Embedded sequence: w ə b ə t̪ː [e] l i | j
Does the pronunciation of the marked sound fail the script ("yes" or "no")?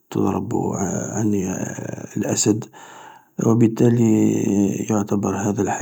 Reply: yes